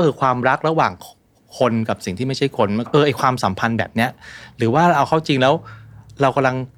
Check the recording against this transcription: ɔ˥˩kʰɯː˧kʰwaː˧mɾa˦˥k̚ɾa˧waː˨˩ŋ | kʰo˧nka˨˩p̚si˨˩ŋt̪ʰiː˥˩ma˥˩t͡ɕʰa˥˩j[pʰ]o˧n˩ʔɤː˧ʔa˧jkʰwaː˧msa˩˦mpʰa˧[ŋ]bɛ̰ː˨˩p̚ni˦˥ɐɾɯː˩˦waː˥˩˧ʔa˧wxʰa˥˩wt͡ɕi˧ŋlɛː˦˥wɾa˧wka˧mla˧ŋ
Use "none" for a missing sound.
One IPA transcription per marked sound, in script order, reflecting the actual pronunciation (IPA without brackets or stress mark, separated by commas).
kʰ, n